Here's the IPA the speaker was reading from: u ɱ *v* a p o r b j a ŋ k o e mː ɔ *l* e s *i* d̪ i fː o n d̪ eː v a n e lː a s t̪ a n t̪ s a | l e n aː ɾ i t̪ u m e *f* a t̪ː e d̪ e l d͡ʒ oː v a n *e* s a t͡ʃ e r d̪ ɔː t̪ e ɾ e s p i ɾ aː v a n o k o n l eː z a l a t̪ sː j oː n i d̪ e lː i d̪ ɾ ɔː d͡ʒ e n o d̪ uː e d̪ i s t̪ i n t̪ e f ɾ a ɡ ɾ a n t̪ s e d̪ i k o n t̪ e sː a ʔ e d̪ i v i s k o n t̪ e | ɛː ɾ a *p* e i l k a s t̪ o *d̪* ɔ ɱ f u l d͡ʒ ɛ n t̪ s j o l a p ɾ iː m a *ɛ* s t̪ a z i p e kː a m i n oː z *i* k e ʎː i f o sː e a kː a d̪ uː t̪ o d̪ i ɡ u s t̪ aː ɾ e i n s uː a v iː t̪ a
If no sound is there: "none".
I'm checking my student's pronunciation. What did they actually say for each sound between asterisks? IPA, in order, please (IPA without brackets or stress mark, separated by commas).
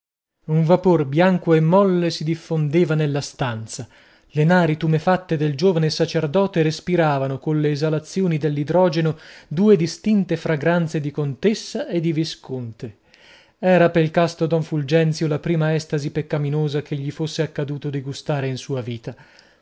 v, lː, i, f, e, p, d̪, ɛ, a